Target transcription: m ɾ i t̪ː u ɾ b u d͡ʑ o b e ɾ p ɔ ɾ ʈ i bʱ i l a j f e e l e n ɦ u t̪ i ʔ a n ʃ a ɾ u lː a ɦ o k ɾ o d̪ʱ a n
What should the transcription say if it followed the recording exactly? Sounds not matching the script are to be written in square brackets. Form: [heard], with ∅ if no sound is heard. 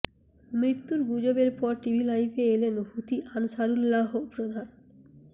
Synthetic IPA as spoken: m ɾ i t̪ː u ɾ [ɡ] u d͡ʑ o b e ɾ p ɔ ɾ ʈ i bʱ i l a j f e e l e n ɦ u t̪ i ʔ a n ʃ a ɾ u lː a ɦ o [p] ɾ o d̪ʱ a n